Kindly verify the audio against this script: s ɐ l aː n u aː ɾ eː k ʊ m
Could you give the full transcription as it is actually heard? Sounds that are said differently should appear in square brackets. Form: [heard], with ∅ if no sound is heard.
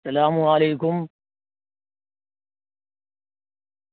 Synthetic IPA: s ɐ l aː [m] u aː [l] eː k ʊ m